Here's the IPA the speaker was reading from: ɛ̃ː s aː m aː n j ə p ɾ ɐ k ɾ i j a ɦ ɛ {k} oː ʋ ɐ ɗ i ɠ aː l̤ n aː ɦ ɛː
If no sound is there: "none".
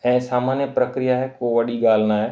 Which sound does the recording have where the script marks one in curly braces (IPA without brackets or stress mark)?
k